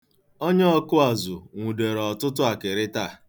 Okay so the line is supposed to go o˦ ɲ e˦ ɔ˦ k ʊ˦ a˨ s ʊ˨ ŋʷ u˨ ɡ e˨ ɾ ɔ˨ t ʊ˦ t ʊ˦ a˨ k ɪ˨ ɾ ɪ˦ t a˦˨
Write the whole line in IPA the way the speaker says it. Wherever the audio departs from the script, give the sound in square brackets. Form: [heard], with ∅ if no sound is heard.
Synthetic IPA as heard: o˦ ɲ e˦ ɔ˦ k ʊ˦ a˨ [z] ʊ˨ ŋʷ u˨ [d] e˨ ɾ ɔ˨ t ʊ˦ t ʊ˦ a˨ k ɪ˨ ɾ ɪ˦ t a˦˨